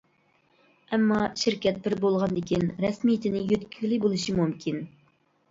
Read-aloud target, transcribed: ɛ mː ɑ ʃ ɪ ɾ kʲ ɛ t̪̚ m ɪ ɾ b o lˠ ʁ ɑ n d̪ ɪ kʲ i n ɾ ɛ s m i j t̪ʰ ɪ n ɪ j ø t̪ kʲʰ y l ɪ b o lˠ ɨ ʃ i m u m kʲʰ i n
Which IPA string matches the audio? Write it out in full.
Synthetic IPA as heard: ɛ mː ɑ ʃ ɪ ɾ kʲ ɛ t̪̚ b ɪ ɾ b o lˠ ʁ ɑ n d̪ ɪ kʲ i n ɾ ɛ s m i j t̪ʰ ɪ n ɪ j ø t̪ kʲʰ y l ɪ b o lˠ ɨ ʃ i m u m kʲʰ i n